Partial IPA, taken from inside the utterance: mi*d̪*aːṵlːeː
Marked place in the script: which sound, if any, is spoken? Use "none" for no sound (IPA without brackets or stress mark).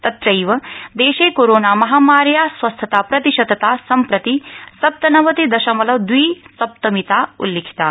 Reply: t̪